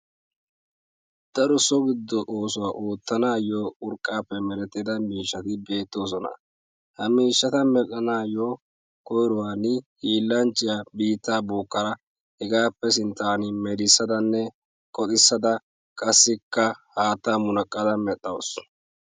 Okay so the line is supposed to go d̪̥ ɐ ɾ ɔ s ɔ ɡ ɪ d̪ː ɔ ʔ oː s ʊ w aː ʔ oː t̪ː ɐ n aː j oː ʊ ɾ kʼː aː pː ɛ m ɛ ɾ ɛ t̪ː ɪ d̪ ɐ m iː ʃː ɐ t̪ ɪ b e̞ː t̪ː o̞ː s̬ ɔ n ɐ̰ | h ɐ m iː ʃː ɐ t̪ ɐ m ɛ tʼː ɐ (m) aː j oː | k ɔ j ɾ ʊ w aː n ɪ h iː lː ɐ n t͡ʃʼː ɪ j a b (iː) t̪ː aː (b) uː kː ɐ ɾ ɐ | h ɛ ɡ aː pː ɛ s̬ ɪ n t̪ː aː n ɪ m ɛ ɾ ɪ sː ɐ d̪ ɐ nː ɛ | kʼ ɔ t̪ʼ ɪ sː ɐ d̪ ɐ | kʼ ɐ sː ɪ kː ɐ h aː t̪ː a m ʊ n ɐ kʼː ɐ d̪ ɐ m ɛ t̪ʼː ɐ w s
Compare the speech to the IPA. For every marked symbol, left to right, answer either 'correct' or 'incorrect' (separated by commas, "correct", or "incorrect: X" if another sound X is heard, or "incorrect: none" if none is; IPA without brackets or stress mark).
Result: incorrect: n, correct, correct